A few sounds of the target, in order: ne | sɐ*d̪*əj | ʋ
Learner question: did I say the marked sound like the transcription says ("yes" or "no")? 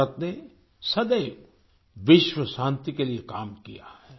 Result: yes